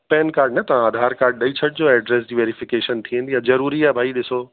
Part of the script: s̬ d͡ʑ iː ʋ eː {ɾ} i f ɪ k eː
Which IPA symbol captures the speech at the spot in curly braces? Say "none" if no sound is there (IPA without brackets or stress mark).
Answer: ɾ